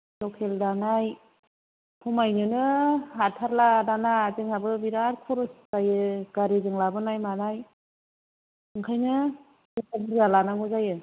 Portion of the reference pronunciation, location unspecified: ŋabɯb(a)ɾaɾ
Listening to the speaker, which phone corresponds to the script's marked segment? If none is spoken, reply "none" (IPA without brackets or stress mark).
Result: i